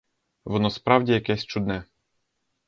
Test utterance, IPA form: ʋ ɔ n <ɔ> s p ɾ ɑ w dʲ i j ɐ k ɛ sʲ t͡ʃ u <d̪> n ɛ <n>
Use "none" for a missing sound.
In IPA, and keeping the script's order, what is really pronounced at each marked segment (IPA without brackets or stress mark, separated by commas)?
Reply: ɔ, d̪, none